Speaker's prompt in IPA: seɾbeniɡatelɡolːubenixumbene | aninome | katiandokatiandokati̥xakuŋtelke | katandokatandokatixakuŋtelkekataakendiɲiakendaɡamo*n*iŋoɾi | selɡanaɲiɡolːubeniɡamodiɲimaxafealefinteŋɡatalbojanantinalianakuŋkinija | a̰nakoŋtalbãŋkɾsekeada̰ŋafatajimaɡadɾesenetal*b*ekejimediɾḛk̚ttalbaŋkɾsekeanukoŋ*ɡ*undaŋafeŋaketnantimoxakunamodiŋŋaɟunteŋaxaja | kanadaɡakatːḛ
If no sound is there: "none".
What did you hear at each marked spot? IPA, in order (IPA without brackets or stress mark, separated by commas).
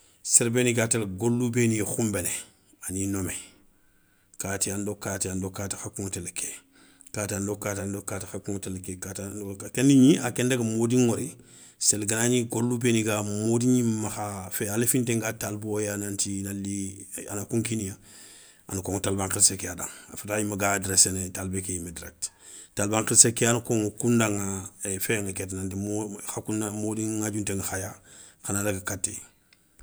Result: d, b, k